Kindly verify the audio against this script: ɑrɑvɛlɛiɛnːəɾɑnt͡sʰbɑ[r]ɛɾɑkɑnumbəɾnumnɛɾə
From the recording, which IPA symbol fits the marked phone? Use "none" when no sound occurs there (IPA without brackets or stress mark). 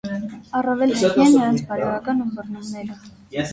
ɾ